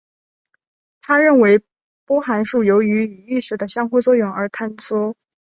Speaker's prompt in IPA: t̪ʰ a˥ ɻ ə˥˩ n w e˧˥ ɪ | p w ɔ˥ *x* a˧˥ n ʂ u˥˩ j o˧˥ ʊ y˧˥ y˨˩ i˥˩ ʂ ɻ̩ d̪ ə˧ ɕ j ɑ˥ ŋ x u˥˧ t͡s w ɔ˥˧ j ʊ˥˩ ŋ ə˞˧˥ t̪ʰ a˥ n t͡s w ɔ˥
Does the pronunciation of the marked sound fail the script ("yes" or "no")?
no